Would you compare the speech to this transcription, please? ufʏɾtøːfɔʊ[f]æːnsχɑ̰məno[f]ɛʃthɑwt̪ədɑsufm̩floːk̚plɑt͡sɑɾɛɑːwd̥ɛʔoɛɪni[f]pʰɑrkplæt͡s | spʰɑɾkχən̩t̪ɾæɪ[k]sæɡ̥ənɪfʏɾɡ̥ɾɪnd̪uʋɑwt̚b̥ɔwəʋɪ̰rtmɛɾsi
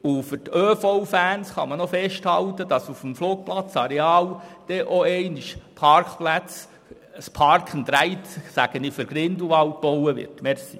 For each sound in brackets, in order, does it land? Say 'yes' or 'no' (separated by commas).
yes, yes, no, no